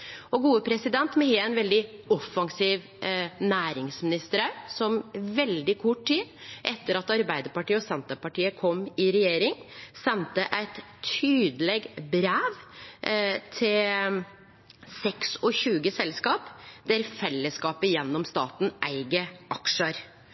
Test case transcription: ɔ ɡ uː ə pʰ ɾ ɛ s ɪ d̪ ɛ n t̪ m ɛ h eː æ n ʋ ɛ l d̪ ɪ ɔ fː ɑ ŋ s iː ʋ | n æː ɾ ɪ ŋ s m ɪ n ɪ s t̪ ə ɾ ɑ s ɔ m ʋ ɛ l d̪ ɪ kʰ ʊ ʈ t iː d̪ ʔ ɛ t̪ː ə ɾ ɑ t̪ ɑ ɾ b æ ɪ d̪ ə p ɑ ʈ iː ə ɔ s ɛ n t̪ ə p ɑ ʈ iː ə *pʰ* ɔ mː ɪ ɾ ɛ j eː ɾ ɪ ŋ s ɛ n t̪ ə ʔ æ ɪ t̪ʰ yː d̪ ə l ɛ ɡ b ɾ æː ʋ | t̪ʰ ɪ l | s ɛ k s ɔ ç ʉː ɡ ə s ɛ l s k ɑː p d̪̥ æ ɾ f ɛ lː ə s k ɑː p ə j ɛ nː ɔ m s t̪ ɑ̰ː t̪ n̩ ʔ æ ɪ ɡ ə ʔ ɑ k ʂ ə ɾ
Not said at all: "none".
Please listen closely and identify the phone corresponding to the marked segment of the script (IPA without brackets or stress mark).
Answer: kʰ